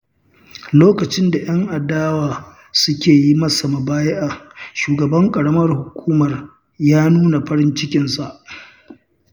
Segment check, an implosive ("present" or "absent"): absent